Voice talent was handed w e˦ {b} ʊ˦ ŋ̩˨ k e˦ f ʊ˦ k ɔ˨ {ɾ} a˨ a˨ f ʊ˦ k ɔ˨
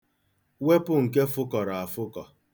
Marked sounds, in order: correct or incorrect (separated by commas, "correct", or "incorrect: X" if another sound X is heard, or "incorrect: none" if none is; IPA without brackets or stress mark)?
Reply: incorrect: p, correct